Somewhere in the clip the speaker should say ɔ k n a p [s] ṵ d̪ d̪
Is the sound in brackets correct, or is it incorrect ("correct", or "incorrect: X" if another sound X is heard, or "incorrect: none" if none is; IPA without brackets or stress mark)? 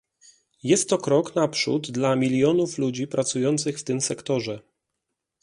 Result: incorrect: ʂ